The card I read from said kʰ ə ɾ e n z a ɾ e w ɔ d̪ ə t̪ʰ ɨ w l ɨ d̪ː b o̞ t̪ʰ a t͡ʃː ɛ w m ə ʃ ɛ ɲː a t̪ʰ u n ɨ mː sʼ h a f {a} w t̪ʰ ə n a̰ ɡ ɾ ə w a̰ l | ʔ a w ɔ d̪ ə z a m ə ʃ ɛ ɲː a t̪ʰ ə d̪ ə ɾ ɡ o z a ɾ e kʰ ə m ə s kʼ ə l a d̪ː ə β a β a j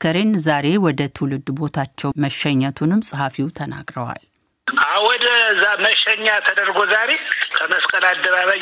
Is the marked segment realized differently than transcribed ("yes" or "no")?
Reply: yes